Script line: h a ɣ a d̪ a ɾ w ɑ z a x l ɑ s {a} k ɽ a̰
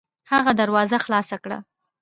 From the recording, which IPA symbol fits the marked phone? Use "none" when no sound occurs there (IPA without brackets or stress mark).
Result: a